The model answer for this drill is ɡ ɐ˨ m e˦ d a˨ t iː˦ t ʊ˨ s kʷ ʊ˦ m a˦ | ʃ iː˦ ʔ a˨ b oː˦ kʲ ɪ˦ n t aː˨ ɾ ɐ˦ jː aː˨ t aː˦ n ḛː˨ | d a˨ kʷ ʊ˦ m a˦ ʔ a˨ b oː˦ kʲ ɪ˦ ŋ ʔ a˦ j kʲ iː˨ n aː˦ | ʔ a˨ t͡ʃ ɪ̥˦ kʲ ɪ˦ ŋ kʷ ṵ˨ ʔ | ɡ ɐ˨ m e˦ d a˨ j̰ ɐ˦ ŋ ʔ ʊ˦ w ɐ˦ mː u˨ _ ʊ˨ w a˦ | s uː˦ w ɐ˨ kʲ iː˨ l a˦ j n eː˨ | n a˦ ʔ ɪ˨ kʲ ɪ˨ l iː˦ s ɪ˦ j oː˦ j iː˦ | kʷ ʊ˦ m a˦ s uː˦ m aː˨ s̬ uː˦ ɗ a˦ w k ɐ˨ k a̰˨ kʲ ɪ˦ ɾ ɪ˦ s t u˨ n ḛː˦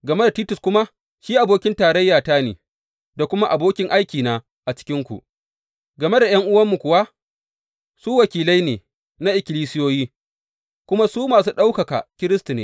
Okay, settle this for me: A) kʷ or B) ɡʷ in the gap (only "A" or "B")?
A